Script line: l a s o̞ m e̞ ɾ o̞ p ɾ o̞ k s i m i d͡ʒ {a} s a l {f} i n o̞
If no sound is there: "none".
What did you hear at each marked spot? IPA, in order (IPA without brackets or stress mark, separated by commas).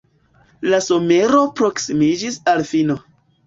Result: i, f